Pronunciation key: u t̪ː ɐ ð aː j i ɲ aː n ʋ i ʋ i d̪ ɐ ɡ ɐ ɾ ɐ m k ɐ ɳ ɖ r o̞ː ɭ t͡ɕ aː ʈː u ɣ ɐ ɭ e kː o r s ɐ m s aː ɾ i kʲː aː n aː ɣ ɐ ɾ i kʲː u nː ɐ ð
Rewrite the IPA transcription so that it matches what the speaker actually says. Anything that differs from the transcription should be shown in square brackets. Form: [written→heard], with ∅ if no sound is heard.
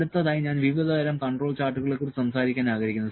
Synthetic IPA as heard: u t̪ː ɐ ð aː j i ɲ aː n ʋ i ʋ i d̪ ɐ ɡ ɐ ɾ ɐ m k ɐ ɳ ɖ r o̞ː ɭ t͡ɕ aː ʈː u ɣ ɐ ɭ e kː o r s ɐ m s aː ɾ i kʲː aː n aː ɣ ɐ ɾ i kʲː u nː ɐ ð